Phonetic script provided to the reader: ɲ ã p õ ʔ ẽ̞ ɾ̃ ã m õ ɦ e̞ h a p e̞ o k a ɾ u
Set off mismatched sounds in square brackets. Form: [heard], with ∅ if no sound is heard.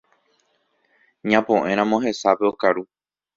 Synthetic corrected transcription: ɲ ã p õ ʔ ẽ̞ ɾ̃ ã m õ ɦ e̞ [s] a p e̞ o k a ɾ u